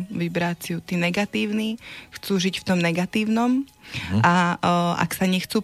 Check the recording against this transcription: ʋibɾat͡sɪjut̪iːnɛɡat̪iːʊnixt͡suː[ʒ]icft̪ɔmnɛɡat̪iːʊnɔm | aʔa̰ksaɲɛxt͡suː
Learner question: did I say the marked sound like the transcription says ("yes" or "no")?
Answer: yes